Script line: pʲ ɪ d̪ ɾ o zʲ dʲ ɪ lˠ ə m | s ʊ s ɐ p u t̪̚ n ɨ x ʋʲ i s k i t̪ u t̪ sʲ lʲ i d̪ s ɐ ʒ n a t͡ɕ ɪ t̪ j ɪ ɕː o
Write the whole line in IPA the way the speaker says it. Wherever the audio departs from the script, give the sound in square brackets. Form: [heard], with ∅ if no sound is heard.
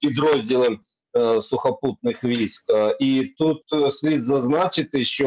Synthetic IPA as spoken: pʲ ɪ d̪ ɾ o zʲ dʲ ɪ lˠ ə m | s ʊ [x] ɐ p u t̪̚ n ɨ x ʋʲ i s k i t̪ u t̪ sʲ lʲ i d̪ [z] ɐ [z] n a t͡ɕ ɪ t̪ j ɪ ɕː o